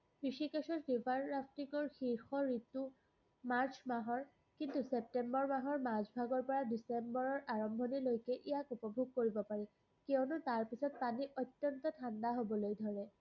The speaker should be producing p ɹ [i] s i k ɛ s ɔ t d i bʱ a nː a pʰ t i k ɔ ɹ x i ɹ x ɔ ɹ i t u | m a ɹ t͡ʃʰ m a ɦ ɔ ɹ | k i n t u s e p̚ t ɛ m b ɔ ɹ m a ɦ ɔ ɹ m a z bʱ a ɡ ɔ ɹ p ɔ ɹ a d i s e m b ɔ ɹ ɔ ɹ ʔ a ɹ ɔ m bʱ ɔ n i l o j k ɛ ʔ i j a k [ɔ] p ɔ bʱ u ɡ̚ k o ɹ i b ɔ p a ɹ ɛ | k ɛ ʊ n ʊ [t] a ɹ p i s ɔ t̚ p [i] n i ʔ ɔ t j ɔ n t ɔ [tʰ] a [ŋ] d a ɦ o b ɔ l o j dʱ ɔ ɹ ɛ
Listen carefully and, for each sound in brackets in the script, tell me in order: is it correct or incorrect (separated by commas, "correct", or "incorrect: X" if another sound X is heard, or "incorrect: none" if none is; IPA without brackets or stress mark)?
correct, incorrect: u, correct, incorrect: a, correct, incorrect: n